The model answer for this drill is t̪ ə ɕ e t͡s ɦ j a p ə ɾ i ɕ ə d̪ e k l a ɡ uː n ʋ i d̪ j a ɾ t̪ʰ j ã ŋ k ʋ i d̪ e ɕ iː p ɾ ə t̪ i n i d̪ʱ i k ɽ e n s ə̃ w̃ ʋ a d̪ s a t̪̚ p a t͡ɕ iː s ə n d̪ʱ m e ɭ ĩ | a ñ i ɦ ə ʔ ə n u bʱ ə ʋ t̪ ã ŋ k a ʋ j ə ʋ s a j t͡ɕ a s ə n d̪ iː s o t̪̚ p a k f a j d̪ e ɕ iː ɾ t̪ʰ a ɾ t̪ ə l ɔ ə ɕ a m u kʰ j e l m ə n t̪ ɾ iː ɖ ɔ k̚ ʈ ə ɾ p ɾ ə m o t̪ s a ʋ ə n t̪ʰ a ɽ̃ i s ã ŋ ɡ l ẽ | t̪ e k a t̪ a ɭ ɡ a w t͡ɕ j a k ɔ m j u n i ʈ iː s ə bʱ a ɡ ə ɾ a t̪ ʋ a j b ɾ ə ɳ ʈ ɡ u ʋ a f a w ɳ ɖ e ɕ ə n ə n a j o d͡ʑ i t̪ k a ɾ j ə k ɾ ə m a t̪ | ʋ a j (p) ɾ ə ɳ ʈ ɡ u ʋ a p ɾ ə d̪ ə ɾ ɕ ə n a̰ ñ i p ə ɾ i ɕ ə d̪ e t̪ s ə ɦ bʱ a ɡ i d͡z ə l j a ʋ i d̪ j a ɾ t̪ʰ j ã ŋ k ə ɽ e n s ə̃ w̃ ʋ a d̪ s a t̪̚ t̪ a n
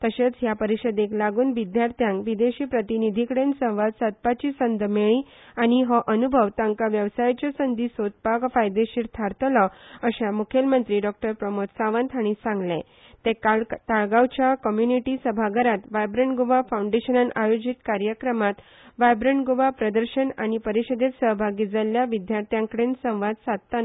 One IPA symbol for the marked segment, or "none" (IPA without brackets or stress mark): b